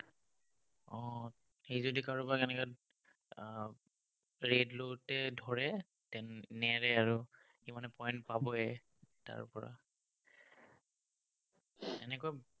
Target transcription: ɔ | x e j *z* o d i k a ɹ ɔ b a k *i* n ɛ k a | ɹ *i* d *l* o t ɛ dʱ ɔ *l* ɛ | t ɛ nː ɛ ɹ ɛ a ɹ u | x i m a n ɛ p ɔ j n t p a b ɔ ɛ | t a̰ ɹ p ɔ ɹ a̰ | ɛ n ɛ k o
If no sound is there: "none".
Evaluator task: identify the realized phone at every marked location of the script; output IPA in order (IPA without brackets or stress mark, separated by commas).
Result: z, ɛ, e, l, ɹ